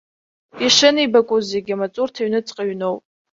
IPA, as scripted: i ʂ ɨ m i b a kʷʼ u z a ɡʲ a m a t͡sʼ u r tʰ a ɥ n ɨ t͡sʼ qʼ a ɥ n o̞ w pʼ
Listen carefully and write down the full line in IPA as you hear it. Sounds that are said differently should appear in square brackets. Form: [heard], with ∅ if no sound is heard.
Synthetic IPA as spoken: i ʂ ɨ [n] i b a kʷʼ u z [e] ɡʲ a m a t͡sʼ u r tʰ a ɥ n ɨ t͡sʼ qʼ a ɥ n o̞ w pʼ